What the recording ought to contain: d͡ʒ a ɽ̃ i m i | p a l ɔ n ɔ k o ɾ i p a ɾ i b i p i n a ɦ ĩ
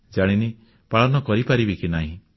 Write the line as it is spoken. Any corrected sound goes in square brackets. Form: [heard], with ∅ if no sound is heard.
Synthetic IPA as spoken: d͡ʒ a ɽ̃ i [n] i | p a [ɭ] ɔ n ɔ k [ɔ] ɾ i p a ɾ i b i [k] i n a ɦ ĩ